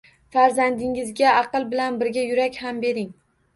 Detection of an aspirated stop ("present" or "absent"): absent